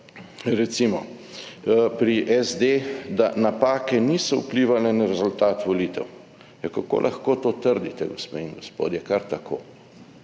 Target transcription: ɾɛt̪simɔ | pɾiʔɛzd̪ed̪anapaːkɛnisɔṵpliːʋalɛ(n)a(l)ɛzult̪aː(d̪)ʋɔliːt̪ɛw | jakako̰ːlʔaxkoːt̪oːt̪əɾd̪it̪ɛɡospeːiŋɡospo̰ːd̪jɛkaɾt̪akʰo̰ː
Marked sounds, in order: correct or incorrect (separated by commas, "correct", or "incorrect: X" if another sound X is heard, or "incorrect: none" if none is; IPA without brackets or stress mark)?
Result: correct, incorrect: ɾ, incorrect: t̪